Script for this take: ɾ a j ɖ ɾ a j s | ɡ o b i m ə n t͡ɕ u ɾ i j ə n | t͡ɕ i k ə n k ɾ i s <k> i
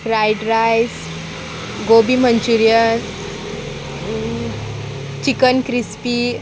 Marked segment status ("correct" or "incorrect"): incorrect